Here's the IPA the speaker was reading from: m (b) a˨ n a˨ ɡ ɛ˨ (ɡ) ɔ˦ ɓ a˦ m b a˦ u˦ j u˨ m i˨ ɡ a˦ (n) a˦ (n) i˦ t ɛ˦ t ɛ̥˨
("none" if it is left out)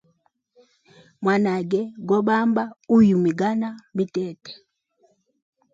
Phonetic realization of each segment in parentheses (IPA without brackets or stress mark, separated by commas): w, ɡ, n, m